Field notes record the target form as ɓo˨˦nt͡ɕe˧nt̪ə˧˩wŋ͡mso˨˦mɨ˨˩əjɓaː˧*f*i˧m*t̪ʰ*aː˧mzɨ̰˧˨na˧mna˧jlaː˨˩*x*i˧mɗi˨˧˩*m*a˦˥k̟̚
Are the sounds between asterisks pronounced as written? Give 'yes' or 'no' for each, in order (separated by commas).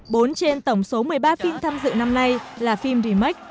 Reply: yes, yes, no, yes